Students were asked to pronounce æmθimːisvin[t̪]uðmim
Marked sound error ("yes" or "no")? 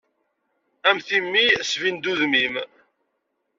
yes